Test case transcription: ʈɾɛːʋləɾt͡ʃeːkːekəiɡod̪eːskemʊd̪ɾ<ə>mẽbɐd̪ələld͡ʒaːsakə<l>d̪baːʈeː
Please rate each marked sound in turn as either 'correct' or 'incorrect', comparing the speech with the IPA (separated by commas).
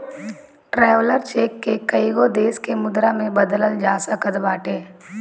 incorrect, incorrect